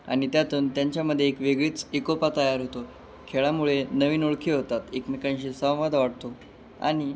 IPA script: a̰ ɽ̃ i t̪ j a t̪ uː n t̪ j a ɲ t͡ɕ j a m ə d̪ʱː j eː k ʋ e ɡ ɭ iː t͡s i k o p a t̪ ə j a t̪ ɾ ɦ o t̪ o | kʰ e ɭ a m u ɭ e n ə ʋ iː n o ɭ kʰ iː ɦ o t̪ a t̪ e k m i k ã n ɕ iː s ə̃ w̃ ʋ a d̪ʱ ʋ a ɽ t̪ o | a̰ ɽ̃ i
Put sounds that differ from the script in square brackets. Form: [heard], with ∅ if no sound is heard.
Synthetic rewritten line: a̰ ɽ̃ i t̪ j a t̪ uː n t̪ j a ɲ t͡ɕ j a m ə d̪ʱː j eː k ʋ e ɡ ɭ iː t͡s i k o p a t̪ ə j a [∅] ɾ ɦ o t̪ o | kʰ e ɭ a m u ɭ e n ə ʋ iː n o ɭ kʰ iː ɦ o t̪ a t̪ e k m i k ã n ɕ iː s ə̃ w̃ ʋ a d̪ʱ ʋ a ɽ t̪ o | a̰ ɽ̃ i